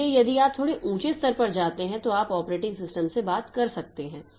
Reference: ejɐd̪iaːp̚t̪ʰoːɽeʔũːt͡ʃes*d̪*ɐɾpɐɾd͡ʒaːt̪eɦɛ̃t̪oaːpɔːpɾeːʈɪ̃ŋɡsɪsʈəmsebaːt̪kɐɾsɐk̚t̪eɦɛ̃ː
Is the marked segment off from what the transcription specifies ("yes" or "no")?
yes